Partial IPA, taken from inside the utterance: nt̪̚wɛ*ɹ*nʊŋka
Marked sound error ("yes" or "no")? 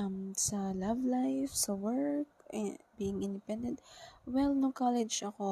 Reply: yes